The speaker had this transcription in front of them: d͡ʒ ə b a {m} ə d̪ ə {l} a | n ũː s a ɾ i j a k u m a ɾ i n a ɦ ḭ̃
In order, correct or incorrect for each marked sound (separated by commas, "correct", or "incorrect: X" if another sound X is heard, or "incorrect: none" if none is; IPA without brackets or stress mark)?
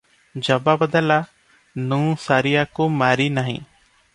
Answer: incorrect: b, correct